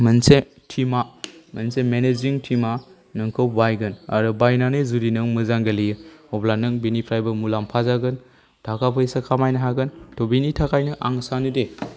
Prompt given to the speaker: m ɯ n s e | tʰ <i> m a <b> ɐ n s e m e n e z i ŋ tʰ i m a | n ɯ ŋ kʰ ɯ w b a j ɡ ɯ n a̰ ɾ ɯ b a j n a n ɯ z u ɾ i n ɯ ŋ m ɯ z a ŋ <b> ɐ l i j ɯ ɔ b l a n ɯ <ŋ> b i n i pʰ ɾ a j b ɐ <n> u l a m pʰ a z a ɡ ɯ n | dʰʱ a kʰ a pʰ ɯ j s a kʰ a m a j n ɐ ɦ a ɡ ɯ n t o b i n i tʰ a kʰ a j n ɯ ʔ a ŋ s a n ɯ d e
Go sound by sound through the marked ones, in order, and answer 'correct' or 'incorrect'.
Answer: correct, incorrect: m, incorrect: ɡ, correct, incorrect: m

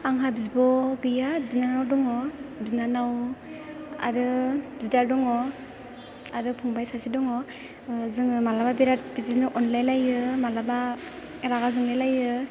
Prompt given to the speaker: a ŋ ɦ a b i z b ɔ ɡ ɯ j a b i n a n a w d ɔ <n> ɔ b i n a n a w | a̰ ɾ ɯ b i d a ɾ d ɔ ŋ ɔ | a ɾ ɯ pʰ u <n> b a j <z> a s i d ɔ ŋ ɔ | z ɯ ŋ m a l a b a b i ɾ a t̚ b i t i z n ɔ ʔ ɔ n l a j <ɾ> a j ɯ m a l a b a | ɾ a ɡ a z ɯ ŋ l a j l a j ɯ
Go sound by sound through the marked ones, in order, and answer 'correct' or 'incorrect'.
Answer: incorrect: ŋ, incorrect: ŋ, incorrect: s, incorrect: l

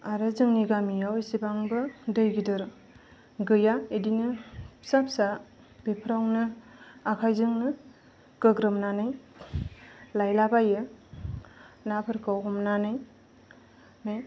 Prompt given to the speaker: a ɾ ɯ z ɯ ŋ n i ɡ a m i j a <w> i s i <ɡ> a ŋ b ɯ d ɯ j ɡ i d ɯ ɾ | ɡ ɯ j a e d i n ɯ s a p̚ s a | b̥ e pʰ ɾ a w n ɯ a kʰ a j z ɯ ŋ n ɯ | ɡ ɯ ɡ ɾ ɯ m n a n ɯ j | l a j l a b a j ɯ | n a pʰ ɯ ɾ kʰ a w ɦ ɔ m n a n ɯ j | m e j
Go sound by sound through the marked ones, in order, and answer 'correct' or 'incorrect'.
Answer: correct, incorrect: b

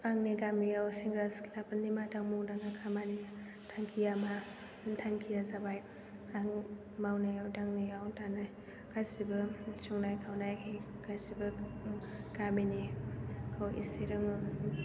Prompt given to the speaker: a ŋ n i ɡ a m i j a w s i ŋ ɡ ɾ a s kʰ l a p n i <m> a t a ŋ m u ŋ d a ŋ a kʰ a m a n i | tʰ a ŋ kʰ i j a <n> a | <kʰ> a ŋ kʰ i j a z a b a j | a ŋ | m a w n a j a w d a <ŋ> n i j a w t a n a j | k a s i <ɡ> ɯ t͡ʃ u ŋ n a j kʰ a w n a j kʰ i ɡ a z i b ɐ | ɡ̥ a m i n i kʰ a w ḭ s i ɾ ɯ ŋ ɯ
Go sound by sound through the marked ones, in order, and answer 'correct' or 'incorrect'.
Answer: correct, incorrect: m, incorrect: tʰ, correct, incorrect: b

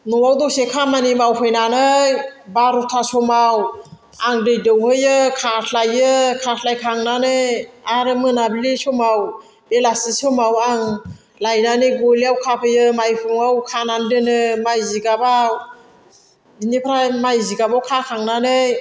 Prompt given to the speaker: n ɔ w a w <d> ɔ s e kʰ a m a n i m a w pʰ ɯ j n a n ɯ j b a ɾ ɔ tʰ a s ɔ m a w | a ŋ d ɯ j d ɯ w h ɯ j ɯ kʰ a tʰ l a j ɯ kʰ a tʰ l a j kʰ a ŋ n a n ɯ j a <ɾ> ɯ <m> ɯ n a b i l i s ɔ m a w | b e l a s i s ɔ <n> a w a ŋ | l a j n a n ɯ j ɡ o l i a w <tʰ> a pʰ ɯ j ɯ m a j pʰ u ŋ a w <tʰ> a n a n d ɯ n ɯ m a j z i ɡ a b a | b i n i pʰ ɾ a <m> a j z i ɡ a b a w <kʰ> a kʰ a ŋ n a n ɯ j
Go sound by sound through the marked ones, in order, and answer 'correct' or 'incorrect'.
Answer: correct, correct, correct, incorrect: m, incorrect: kʰ, incorrect: kʰ, correct, correct

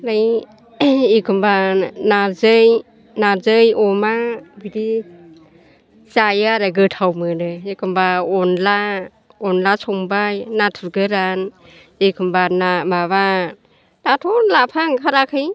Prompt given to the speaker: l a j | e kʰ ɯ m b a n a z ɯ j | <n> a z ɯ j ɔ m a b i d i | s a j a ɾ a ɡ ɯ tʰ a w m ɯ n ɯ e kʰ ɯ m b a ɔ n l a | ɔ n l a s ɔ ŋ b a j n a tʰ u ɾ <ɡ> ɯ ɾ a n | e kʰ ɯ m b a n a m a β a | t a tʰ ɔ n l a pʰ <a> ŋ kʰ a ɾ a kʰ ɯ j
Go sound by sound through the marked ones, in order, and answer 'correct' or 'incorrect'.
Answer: correct, correct, correct

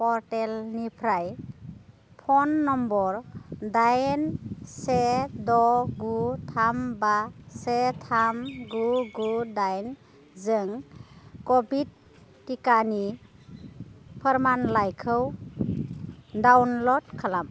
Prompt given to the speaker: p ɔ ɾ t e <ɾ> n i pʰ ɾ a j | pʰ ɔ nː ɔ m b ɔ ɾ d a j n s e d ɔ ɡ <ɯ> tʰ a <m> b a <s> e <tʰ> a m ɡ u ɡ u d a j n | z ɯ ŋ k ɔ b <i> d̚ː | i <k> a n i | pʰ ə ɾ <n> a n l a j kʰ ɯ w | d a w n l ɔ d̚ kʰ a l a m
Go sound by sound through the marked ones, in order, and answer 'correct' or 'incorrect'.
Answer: incorrect: l, incorrect: u, correct, correct, correct, correct, correct, incorrect: m

